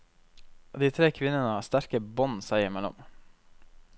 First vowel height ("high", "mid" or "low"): high